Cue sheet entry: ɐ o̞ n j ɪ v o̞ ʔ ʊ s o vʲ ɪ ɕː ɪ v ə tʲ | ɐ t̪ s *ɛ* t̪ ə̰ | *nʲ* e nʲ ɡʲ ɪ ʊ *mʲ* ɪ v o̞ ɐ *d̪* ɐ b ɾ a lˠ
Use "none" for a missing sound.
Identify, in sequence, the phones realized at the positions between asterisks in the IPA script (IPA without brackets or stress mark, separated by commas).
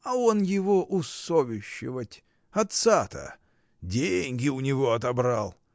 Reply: a, dʲ, nʲ, t̪